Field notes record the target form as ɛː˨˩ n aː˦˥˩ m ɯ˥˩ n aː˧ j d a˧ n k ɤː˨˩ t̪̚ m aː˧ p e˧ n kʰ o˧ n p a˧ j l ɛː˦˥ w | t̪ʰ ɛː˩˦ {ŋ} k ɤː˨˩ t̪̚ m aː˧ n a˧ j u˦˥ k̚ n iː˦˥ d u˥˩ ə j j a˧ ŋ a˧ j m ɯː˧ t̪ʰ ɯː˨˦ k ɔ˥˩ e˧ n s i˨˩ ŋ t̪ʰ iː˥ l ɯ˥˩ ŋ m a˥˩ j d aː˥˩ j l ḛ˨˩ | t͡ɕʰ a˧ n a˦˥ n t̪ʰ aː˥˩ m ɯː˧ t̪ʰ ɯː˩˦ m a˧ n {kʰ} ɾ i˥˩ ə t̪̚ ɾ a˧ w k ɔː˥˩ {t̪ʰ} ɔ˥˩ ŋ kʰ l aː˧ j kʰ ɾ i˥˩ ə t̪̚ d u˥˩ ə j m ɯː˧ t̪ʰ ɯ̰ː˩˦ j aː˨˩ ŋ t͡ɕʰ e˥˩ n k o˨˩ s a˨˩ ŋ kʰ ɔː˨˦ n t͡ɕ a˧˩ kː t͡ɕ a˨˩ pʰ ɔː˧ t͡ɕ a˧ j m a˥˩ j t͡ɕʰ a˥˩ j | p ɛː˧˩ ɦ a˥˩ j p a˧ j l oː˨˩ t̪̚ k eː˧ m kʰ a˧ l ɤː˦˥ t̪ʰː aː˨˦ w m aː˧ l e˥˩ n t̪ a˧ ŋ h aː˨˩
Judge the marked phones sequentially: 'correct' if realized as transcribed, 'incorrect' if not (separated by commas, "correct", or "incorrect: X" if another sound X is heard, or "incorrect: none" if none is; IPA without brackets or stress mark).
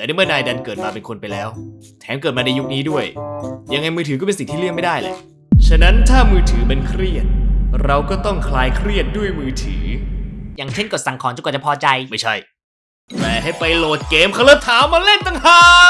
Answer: incorrect: m, correct, incorrect: t̪